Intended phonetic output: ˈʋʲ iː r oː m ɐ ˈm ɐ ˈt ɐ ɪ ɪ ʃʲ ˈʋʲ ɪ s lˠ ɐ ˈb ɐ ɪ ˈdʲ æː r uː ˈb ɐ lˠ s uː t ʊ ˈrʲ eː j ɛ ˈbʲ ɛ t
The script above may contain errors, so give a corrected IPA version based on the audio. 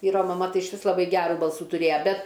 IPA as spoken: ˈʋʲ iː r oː m ɐ ˈm ɐ ˈt ɐ ɪ ɪ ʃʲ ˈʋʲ ɪ s lˠ ɐ ˈb ɐ ɪ ˈɡʲ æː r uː ˈb ɐ lˠ s uː t ʊ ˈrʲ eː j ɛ ˈbʲ ɛ t